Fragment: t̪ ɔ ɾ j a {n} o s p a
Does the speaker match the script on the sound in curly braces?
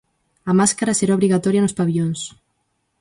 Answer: yes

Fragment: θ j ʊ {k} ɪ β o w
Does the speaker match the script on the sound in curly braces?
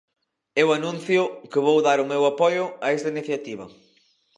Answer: yes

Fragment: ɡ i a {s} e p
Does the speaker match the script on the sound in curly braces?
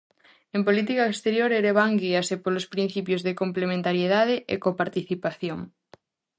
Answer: yes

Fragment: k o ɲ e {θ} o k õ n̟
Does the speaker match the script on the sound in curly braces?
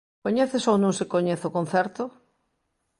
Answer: yes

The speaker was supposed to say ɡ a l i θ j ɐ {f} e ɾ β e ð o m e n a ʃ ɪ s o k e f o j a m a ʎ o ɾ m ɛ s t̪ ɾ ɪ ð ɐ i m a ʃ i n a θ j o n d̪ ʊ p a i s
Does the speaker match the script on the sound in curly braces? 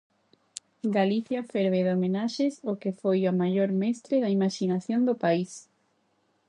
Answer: yes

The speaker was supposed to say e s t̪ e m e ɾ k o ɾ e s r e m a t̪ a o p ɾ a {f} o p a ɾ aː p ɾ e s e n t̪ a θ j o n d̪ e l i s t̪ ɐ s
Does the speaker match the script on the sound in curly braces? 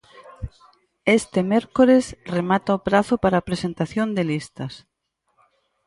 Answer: no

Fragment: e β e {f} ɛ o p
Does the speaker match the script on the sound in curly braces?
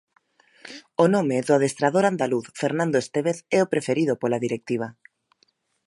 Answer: no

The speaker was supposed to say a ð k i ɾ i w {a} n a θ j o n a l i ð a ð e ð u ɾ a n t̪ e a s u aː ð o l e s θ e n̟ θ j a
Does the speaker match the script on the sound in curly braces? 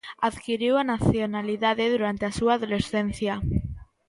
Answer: yes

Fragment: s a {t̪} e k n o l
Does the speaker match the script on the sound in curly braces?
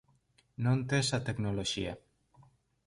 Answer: yes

